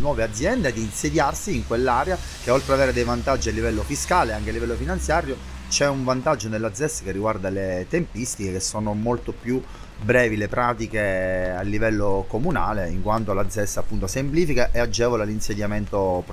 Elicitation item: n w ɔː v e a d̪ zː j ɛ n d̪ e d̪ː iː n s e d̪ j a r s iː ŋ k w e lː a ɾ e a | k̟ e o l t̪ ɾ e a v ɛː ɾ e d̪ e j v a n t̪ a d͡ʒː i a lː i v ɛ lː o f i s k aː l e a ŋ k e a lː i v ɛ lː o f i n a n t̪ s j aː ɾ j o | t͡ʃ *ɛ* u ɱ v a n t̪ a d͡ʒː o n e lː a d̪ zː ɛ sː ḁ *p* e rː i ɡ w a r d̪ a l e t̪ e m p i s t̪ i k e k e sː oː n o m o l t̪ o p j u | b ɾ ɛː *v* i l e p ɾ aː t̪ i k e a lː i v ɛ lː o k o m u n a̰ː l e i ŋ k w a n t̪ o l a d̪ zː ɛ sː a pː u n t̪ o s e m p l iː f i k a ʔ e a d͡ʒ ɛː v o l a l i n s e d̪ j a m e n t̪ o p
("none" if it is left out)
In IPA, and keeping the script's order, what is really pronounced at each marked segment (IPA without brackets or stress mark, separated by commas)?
ɛ, k, v